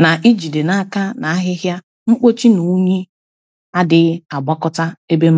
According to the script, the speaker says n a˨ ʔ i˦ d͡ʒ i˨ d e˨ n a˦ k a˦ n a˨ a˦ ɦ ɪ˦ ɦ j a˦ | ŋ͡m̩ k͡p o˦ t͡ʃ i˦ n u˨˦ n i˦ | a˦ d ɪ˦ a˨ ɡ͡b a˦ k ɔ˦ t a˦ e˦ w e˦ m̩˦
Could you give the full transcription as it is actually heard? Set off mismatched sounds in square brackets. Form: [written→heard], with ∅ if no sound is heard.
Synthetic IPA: n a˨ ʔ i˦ d͡ʒ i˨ d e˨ n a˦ k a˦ n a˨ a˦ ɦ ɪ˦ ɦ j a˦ | ŋ͡m̩ k͡p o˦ t͡ʃ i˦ n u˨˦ [n→ɲ] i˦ | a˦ d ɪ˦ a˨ ɡ͡b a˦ k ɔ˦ t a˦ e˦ [w→b] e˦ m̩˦